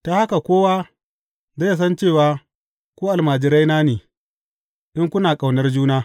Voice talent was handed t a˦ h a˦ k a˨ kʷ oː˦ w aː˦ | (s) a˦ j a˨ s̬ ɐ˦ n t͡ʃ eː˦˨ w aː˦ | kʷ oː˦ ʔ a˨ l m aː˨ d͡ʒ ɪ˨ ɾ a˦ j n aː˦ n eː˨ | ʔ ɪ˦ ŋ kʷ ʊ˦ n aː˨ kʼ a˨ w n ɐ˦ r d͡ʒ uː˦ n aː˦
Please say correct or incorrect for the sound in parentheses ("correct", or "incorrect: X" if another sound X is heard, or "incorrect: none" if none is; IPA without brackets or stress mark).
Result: incorrect: z